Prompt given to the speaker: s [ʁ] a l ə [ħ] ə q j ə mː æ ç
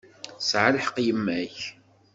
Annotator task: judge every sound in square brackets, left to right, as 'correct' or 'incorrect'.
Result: incorrect: ʕ, correct

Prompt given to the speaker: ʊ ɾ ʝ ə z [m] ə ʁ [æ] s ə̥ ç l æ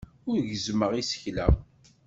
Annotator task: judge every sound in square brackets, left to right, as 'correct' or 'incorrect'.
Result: correct, incorrect: i

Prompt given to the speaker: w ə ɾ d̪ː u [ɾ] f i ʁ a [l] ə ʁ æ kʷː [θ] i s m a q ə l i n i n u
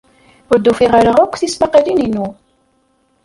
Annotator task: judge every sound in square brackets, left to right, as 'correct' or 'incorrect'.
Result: incorrect: none, incorrect: ɾ, correct

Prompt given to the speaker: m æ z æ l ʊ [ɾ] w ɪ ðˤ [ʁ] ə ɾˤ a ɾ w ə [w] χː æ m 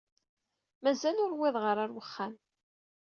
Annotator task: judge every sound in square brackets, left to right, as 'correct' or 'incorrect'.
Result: correct, correct, incorrect: none

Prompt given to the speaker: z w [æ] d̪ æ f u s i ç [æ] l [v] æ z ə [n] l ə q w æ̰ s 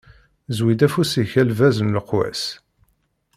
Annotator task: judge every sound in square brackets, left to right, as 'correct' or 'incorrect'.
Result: incorrect: i, correct, correct, correct

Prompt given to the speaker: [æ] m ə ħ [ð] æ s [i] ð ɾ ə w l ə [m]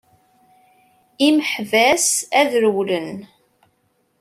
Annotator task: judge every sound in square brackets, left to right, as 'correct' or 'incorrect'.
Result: incorrect: i, incorrect: v, incorrect: æ, incorrect: n

